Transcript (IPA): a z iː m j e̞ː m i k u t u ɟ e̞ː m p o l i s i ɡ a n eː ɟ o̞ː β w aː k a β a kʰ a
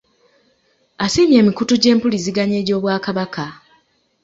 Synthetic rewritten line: a s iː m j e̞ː m i k u t u ɟ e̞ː m p u l i z i ɡ a ɲ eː ɟ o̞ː β w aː k a β a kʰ a